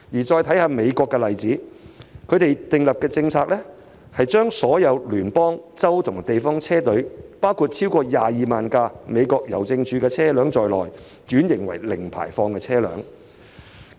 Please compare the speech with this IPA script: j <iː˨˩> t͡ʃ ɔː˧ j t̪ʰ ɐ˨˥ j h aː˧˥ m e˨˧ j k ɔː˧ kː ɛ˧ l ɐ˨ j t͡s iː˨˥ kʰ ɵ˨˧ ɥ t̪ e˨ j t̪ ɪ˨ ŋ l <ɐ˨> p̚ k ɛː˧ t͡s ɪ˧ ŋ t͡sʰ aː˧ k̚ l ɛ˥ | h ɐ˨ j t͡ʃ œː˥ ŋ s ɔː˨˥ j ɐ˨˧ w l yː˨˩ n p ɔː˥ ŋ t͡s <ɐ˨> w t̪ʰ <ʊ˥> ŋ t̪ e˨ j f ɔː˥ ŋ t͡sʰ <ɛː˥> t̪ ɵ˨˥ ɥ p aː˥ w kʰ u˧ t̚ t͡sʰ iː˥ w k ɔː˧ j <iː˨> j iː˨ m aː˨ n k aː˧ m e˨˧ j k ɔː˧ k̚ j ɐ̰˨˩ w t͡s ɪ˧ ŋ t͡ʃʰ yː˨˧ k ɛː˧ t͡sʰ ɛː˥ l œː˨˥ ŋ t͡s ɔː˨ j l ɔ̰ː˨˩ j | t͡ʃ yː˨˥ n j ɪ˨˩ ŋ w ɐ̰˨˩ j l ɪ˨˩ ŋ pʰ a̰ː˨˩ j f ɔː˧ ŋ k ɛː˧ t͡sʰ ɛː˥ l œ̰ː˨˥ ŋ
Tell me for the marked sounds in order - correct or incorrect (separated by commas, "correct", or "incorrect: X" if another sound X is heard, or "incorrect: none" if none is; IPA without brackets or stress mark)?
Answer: correct, correct, incorrect: ɐ˥, incorrect: ʊ˨˩, correct, incorrect: aː˨